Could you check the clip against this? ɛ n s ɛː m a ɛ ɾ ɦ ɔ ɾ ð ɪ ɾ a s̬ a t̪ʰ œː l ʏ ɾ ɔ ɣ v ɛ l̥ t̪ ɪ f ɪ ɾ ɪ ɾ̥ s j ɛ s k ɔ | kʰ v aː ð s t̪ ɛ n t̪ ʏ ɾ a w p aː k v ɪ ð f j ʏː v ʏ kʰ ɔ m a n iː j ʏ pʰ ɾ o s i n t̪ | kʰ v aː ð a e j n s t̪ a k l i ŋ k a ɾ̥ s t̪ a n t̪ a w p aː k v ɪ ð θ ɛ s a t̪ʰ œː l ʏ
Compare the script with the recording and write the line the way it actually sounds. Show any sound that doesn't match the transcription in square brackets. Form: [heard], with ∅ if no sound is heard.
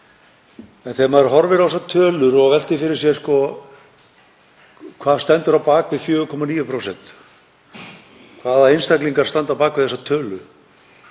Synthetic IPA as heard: ɛ n [θ] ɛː m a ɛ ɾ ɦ ɔ ɾ [v] ɪ ɾ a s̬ a t̪ʰ œː l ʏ ɾ ɔ ɣ v ɛ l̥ t̪ ɪ f ɪ ɾ ɪ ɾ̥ s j ɛ s k ɔ | kʰ v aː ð s t̪ ɛ n t̪ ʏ ɾ a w p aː k v ɪ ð f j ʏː [ɣ] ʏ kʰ ɔ m a n iː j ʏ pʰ ɾ o s [ɛ] n t̪ | kʰ v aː ð a e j n s t̪ a k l i ŋ k a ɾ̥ s t̪ a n t̪ a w p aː k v ɪ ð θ ɛ s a t̪ʰ œː l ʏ

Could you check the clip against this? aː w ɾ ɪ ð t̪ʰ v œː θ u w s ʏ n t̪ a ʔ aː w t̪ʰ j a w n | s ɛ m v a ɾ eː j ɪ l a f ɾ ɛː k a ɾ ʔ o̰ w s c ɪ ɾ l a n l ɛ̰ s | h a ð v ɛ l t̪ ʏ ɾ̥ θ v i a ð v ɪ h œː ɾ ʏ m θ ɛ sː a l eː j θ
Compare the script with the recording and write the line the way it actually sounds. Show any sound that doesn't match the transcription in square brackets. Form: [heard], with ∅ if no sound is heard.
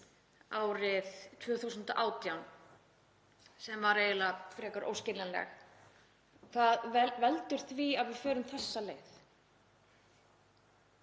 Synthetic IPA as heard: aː w ɾ ɪ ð t̪ʰ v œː θ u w s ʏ n t̪ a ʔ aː w [t̪] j a w n | s ɛ m v a ɾ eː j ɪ l a f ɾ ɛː k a ɾ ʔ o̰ w s c ɪ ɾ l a n l ɛ̰ [x] | [θ] a ð v ɛ l t̪ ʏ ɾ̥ θ v i a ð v ɪ [f] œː ɾ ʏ m θ ɛ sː a l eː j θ

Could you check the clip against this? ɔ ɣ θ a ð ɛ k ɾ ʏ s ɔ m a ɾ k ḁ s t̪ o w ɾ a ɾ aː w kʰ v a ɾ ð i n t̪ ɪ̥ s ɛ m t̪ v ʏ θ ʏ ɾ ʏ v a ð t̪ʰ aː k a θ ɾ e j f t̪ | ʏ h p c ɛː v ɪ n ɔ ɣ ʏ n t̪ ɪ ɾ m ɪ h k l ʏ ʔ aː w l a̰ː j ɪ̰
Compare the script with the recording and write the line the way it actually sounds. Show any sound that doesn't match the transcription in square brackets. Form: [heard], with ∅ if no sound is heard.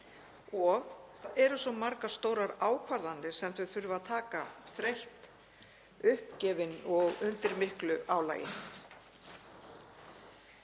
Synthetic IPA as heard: ɔ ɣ θ a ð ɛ [∅] ɾ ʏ s ɔ m a ɾ k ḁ s t̪ o w ɾ a ɾ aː w kʰ v a ɾ ð [a] n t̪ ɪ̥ s ɛ m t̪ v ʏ θ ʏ ɾ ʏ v a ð t̪ʰ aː k a θ ɾ e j [h] t̪ | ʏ h p c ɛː v ɪ n ɔ ɣ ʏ n t̪ ɪ ɾ m ɪ h k l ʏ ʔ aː w l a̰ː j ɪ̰

